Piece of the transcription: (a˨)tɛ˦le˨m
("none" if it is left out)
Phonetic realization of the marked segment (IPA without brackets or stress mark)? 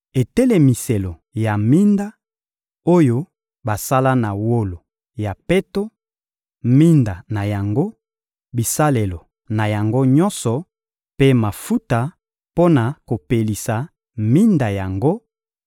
e˨